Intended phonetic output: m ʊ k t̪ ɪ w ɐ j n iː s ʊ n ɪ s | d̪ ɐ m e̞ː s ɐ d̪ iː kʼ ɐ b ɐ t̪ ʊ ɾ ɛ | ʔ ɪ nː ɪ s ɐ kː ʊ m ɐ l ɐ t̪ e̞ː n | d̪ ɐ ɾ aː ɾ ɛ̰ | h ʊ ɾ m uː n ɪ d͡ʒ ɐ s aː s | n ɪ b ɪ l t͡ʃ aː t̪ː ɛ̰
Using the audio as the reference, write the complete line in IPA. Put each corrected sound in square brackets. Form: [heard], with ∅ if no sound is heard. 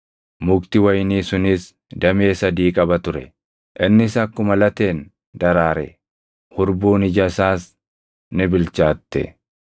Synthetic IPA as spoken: m ʊ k t̪ ɪ w ɐ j n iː s ʊ n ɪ s | d̪ ɐ m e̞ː s ɐ d̪ iː kʼ ɐ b ɐ t̪ ʊ ɾ ɛ | ʔ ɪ nː ɪ s ɐ kː ʊ m ɐ l ɐ t̪ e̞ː n | d̪ ɐ ɾ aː ɾ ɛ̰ | h ʊ ɾ [b] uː n ɪ d͡ʒ ɐ s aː s | n ɪ b ɪ l t͡ʃ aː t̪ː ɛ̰